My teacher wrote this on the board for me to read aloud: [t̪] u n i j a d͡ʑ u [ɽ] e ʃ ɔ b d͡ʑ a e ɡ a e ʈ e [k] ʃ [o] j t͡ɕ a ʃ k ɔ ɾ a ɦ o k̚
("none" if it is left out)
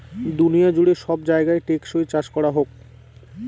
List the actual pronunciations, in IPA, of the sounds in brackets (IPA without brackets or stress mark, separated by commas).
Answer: d̪, ɽ, k, o